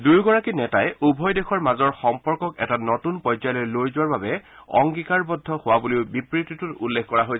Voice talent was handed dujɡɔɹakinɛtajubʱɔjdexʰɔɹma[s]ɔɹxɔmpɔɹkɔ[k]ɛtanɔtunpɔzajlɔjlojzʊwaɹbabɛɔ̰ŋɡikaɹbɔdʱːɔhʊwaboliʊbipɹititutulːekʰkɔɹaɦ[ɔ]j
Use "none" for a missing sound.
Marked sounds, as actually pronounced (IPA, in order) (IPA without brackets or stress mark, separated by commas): z, k, o